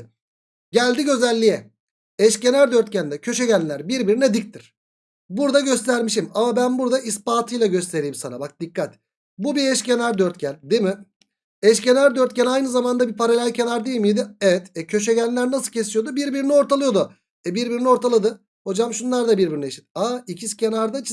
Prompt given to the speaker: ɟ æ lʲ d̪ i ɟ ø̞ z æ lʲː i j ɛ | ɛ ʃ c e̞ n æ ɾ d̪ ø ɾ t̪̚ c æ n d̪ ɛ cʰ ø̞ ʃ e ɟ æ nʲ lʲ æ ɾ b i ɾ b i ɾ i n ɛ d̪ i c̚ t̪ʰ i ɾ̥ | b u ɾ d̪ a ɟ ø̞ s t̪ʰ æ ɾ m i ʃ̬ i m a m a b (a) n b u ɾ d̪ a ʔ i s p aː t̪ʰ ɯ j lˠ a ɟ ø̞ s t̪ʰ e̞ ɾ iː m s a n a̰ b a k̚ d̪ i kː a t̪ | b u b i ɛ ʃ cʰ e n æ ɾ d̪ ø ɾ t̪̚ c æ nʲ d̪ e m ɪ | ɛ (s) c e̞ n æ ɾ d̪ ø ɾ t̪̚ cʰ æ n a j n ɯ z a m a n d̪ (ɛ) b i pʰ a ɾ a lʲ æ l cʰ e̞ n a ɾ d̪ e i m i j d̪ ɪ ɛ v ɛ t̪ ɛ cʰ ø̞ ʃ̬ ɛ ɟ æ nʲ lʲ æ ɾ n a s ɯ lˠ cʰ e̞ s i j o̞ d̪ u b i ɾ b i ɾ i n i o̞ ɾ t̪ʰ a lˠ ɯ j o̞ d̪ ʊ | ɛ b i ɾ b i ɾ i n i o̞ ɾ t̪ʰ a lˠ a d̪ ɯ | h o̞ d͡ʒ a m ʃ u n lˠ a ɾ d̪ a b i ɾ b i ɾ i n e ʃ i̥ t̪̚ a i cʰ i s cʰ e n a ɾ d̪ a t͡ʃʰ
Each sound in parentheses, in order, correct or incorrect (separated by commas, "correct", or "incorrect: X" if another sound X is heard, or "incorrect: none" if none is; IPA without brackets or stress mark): incorrect: æ, incorrect: ʃ, incorrect: a